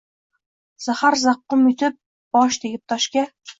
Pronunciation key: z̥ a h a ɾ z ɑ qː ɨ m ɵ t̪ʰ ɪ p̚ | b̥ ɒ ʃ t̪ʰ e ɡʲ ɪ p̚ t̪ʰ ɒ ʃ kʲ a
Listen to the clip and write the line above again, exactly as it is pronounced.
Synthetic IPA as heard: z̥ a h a ɾ z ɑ qː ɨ m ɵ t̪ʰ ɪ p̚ | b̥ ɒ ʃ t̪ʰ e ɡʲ ɪ p̚ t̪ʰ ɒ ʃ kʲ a